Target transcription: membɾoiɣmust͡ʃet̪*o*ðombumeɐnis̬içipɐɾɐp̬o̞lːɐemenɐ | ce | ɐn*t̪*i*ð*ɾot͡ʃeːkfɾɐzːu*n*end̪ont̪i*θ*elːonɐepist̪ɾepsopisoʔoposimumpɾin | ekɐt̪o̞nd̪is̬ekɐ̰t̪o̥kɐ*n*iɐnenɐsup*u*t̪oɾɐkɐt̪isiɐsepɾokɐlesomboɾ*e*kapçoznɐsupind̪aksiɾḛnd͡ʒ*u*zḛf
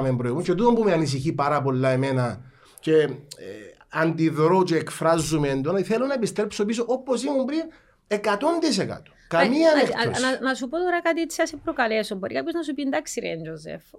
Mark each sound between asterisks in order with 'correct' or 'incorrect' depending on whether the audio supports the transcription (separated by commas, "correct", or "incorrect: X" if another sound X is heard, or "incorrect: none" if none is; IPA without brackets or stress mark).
incorrect: u, incorrect: d̪, correct, incorrect: m, correct, incorrect: m, incorrect: o, incorrect: i, incorrect: o